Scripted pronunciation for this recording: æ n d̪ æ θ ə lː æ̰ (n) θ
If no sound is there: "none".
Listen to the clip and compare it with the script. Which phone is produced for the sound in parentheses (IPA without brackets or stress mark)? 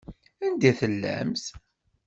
m